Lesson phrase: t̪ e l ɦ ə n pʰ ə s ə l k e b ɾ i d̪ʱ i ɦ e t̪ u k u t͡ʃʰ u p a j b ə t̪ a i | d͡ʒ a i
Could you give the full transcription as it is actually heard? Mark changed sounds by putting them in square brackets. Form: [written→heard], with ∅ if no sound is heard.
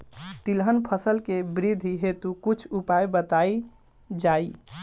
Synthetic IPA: t̪ [e→i] l ɦ ə n pʰ ə s ə l k e b ɾ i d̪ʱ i ɦ e t̪ u k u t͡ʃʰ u p a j b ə t̪ a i | d͡ʒ a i